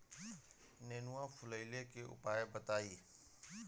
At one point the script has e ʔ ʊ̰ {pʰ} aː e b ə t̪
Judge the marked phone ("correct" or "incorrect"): incorrect